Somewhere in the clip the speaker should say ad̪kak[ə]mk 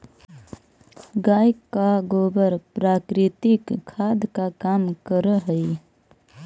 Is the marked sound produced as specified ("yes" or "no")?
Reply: no